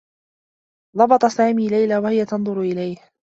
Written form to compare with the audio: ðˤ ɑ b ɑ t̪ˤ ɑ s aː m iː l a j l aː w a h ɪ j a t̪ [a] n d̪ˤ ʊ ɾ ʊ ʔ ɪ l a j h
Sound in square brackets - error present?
yes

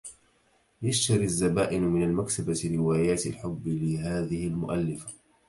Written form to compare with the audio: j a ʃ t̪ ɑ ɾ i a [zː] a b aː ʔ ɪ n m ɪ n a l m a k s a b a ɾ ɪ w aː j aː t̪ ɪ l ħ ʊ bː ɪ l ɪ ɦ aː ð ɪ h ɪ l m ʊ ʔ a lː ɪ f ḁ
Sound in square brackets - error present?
no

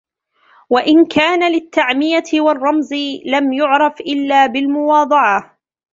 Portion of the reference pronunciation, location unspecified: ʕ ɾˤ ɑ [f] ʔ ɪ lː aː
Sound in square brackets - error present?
no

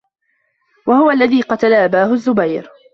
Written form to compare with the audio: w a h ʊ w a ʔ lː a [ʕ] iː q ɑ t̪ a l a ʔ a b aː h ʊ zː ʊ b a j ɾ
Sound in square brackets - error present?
yes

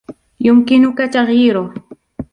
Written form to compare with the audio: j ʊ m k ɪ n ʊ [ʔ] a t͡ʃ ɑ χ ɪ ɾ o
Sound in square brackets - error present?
yes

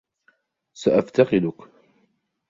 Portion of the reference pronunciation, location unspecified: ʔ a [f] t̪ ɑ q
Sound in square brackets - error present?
no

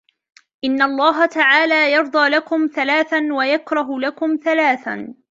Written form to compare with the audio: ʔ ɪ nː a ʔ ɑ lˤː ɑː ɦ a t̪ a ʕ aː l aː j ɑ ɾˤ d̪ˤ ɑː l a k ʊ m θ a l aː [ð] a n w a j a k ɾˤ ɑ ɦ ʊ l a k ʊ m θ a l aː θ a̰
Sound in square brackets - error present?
yes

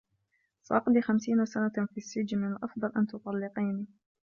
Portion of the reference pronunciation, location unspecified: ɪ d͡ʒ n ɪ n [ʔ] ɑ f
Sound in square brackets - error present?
no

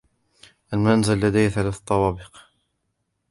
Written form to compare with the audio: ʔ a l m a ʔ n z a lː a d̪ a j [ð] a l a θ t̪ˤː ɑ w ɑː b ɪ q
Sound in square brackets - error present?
yes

